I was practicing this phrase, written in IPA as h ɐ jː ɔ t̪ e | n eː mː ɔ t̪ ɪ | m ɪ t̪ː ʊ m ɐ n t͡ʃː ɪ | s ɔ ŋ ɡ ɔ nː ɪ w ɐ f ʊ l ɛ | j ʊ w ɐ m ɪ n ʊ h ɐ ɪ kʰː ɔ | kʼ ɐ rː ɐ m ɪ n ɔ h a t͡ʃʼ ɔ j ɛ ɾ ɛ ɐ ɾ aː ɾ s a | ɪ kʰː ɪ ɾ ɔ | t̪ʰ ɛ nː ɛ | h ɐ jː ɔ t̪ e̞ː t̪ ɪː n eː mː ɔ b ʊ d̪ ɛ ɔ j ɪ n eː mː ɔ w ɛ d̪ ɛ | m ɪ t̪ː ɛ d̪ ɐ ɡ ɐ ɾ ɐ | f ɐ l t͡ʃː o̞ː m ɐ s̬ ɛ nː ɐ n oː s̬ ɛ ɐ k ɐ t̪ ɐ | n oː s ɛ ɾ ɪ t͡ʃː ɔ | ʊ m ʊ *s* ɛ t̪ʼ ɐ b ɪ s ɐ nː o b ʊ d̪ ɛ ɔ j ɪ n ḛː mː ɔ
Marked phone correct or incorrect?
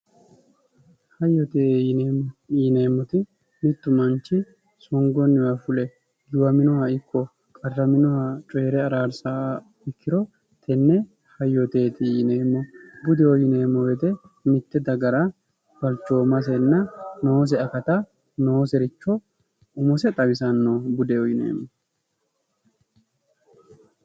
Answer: correct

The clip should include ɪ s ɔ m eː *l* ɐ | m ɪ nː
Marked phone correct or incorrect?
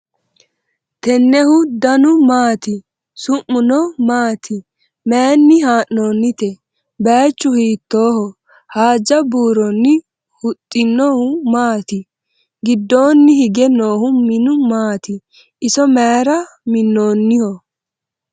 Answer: incorrect: ɾ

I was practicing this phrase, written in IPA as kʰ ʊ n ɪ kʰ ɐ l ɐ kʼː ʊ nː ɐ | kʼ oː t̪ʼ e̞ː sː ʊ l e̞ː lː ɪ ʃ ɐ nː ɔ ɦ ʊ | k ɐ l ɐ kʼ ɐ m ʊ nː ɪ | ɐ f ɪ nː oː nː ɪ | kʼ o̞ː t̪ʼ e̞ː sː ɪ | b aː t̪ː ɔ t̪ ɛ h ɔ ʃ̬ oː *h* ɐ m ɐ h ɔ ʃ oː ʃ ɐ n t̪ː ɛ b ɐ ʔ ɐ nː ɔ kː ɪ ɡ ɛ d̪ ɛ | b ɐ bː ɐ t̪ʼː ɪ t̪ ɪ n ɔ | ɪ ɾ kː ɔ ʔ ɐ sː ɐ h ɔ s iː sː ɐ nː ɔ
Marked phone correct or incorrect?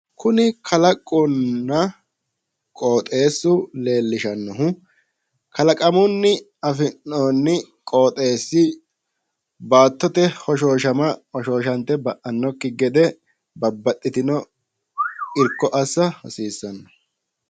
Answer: incorrect: ʃ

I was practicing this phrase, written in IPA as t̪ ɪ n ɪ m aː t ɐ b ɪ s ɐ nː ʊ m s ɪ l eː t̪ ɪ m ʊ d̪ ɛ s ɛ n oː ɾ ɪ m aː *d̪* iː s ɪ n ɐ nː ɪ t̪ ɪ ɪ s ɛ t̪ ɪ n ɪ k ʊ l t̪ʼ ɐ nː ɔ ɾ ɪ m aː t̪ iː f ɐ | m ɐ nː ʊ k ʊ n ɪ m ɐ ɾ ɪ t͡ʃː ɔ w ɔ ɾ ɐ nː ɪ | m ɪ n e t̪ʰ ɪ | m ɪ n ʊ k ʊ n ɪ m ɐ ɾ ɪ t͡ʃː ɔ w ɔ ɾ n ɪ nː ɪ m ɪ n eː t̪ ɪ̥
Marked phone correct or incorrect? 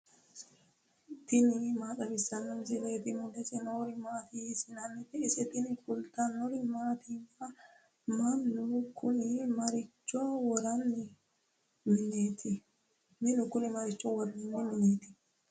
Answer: incorrect: t̪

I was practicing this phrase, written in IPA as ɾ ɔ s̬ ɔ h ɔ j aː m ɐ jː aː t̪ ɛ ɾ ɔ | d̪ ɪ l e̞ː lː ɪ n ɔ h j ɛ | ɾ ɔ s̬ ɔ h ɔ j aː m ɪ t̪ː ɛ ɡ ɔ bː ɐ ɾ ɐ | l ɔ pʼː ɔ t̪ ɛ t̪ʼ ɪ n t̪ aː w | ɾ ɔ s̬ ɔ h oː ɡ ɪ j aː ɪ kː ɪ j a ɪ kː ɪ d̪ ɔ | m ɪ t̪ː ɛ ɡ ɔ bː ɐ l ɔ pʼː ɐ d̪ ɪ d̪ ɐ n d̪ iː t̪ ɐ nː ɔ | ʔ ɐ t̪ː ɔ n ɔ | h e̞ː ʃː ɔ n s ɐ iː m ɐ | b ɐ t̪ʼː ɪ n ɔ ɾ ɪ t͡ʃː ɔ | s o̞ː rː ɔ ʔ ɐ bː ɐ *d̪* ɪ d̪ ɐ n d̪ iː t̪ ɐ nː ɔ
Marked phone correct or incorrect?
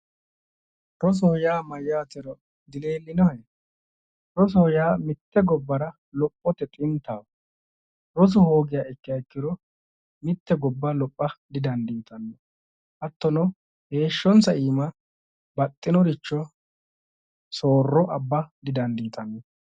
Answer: correct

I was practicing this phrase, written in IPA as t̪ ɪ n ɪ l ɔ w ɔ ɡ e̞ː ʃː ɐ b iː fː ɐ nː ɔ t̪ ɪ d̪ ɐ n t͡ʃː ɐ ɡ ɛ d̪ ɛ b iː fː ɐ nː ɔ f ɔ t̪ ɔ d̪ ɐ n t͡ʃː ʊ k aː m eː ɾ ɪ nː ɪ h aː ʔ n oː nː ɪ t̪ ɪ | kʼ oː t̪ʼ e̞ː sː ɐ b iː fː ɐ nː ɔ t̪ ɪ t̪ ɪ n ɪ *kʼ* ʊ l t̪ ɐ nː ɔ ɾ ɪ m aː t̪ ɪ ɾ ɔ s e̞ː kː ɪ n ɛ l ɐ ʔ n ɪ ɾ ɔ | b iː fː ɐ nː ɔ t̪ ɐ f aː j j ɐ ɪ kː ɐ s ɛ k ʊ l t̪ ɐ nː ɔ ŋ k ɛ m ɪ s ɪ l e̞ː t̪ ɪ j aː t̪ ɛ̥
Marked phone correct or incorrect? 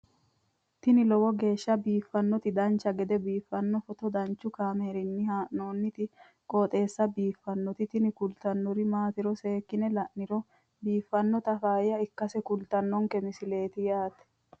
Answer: incorrect: k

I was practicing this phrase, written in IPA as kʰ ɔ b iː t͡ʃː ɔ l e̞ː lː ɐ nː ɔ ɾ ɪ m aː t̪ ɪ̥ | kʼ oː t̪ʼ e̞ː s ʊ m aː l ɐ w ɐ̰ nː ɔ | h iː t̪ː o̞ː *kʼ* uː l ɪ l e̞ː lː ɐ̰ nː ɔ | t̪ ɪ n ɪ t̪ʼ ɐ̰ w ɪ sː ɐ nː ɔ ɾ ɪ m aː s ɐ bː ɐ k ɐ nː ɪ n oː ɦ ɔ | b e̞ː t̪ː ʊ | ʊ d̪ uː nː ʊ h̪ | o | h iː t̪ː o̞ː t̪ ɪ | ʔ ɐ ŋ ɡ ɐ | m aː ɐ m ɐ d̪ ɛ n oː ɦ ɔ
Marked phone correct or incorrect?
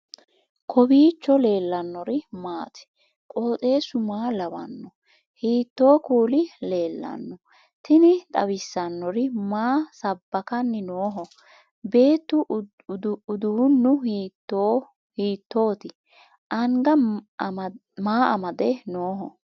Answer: incorrect: k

